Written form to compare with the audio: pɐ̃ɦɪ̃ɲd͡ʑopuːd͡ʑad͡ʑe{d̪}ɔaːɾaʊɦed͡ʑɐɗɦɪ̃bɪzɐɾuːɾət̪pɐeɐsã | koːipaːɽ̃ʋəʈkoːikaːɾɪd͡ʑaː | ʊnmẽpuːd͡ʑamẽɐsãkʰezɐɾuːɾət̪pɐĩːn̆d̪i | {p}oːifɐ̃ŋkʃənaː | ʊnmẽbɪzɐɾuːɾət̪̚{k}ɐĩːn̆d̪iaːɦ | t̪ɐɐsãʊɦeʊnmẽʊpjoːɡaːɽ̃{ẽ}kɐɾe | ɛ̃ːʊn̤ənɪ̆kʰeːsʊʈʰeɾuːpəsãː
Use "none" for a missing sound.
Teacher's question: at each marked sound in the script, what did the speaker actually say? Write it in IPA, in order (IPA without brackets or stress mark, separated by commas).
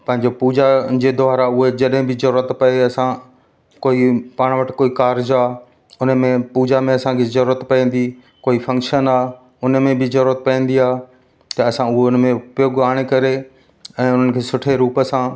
d̪, k, p, e